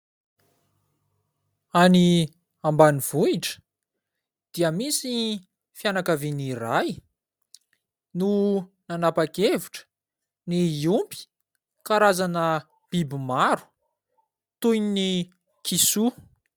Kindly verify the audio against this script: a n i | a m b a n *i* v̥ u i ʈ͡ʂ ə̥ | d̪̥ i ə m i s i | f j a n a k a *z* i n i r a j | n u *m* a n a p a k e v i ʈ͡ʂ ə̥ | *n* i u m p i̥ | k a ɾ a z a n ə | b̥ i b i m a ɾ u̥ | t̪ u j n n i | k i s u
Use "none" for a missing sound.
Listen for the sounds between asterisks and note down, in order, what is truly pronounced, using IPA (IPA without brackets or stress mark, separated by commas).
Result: i, v, n, n